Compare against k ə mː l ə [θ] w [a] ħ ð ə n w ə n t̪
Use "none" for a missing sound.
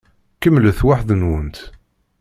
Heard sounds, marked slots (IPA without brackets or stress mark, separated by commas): θ, a